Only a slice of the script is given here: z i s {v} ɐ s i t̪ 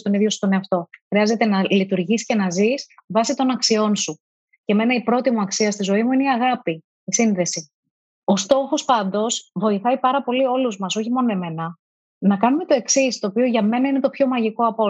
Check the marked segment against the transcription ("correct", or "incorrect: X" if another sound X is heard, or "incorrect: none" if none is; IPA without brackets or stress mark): correct